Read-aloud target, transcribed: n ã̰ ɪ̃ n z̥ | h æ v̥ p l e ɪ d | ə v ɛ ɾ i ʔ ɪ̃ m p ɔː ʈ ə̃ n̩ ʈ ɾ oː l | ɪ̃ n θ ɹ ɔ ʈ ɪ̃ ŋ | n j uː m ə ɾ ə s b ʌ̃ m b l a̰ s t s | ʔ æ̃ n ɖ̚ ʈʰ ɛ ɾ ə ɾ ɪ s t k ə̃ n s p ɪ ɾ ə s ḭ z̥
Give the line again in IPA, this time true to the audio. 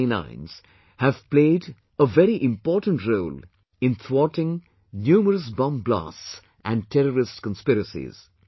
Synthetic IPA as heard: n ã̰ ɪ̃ n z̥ | h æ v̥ p l e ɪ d | ə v ɛ ɾ i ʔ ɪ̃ m p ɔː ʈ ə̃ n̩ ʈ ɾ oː l | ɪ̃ n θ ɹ ɔ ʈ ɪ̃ ŋ | n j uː m ə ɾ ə s b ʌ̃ m b l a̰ s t s | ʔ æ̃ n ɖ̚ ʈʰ ɛ ɾ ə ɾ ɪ s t k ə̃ n s p ɪ ɾ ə s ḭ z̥

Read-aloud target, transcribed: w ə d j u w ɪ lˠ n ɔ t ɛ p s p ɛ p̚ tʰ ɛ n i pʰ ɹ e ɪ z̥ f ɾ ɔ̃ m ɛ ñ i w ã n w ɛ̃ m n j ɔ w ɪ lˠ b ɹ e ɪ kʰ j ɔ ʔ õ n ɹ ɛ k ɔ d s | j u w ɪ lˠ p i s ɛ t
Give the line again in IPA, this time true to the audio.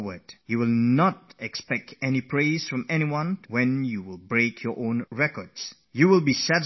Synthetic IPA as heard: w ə d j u w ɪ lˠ n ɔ t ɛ k s p ɛ k̚ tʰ ɛ n i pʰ ɹ e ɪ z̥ f ɹ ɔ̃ m ɛ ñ i w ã n w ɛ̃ n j u w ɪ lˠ b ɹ e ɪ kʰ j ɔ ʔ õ n ɹ ɛ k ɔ d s | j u w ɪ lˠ b i s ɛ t

